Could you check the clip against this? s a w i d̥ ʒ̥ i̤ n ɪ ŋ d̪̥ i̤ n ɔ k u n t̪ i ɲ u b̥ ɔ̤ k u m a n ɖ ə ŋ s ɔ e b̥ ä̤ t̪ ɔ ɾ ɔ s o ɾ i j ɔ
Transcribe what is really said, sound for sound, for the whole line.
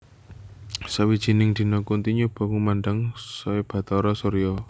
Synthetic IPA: s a w i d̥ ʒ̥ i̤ n ɪ ŋ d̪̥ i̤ n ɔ k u n t̪ i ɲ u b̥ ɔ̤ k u m a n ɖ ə ŋ s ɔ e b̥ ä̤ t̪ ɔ ɾ ɔ s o ɾ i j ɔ